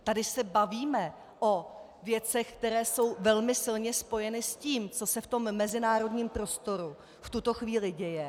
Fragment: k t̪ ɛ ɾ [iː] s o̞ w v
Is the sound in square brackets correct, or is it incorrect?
incorrect: ɛː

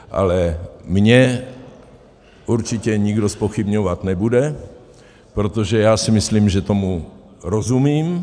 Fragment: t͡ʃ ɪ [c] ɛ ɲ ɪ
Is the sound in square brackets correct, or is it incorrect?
correct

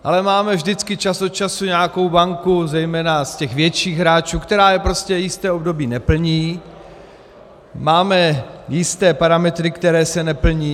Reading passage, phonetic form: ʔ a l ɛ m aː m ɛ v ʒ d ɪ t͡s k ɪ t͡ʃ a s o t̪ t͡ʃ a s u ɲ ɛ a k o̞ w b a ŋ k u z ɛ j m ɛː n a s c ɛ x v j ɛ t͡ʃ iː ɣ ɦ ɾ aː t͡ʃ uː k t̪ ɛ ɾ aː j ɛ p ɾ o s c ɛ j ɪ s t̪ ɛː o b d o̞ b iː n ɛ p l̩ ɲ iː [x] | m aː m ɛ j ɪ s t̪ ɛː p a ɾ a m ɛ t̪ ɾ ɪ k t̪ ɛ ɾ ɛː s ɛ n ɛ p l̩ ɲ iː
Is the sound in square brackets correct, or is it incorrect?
incorrect: none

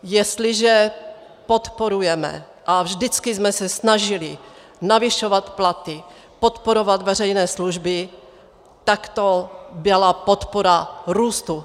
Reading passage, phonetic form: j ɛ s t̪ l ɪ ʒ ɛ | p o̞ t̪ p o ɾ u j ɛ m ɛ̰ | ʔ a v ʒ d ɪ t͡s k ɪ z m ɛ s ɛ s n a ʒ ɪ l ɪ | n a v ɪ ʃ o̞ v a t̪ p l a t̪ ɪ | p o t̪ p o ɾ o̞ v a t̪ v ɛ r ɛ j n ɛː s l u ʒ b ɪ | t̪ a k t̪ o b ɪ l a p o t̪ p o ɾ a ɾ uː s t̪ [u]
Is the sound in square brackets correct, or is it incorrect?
correct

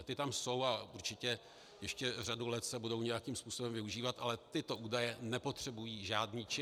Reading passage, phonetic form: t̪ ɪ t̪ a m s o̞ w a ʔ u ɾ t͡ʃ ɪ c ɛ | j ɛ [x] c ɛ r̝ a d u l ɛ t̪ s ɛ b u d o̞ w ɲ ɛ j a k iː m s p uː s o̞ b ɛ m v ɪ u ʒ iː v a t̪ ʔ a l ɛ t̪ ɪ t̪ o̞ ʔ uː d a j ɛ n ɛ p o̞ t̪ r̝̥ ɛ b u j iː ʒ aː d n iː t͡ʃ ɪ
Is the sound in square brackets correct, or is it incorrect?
incorrect: ʃ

